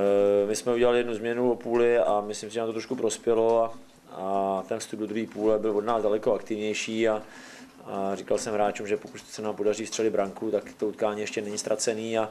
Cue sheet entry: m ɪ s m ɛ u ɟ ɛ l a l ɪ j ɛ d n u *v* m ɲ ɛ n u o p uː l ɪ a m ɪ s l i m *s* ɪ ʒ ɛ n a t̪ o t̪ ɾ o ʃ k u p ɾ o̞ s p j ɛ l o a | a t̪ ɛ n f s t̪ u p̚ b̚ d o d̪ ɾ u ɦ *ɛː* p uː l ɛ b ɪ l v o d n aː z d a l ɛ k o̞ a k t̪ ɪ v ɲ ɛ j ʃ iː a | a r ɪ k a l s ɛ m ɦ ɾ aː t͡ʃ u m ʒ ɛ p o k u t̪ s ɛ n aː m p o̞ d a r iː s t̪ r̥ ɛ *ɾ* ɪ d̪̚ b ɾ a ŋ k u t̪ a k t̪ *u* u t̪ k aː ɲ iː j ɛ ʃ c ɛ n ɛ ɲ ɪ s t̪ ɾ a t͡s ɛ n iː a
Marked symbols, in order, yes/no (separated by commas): no, yes, no, no, no